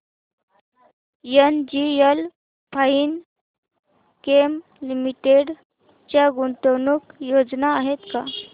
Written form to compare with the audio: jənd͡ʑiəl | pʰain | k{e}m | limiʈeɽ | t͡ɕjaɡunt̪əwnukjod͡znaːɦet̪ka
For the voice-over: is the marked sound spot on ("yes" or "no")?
yes